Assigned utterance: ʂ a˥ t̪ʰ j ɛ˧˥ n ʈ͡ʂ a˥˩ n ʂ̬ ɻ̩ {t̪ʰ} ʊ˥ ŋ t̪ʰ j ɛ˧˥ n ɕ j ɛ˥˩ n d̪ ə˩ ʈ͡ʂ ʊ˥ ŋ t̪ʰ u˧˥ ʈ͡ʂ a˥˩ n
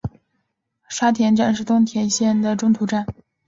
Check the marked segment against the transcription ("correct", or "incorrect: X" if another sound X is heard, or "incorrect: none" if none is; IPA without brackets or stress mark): incorrect: t̪